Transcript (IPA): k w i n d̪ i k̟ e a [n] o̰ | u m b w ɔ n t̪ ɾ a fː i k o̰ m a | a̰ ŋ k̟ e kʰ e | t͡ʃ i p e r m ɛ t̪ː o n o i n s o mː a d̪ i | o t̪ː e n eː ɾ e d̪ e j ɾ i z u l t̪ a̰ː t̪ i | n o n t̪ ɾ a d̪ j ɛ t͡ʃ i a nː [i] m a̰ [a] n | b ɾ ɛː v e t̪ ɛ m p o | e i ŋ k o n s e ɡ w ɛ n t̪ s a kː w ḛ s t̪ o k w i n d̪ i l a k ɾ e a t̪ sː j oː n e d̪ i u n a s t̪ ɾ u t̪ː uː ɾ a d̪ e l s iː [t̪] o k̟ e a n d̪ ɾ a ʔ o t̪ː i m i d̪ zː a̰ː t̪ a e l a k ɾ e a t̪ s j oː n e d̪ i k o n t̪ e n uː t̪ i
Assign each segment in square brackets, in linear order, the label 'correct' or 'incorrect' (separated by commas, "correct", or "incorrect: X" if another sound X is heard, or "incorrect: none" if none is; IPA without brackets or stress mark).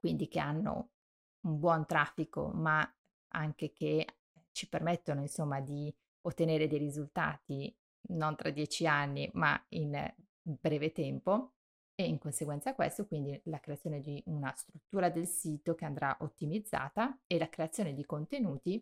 incorrect: nː, correct, incorrect: i, correct